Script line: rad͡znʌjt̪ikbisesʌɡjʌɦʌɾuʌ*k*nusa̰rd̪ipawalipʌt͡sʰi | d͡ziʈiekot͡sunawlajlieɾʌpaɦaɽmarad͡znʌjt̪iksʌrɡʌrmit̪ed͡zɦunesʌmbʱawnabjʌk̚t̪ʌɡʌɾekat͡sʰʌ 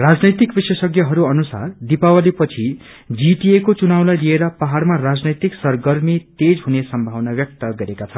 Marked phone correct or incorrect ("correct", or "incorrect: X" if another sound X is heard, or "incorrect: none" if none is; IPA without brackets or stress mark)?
incorrect: none